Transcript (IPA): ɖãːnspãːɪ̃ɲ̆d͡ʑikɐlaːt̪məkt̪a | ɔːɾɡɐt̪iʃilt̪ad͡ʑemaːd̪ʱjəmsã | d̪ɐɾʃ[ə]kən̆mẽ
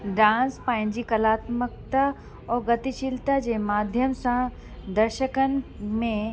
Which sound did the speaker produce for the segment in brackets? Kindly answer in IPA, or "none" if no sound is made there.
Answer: ə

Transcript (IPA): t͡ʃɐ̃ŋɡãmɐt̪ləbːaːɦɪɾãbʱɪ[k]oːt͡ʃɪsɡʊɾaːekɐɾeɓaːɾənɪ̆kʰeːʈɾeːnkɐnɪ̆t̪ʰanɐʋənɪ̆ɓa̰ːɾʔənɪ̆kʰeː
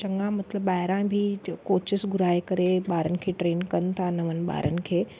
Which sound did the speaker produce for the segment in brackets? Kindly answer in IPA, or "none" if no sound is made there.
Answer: k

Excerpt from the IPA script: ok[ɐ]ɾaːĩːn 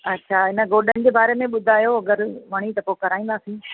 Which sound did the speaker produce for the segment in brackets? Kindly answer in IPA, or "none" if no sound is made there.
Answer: ɐ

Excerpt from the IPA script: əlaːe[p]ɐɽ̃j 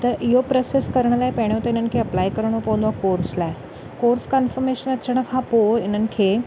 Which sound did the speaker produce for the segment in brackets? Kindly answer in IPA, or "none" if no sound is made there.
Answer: p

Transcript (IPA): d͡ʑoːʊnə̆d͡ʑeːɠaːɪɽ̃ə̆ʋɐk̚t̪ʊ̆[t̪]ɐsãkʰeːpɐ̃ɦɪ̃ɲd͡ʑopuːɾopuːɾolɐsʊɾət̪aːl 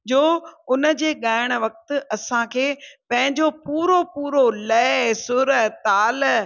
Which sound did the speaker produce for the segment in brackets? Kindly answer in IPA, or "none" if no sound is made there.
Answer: none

